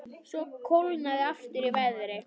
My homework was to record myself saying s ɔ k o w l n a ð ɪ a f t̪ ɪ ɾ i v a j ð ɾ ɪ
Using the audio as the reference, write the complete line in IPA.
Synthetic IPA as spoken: s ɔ kʰ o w l n a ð ɪ a f t̪ ɪ ɾ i v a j ð ɾ ɪ